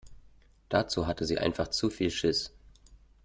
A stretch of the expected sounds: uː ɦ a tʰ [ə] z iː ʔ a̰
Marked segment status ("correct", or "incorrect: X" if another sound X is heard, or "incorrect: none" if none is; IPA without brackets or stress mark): correct